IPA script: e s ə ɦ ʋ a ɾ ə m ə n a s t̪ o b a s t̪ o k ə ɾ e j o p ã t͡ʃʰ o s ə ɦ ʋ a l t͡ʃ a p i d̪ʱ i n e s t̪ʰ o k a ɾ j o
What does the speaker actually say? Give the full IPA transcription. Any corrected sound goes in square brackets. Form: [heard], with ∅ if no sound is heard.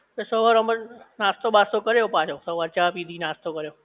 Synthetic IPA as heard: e s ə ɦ ʋ a ɾ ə m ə n a s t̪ o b a s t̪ o k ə ɾ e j o p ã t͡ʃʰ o s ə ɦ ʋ a [ɾ] t͡ʃ a p i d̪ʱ i n [a] s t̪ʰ o k [ə] ɾ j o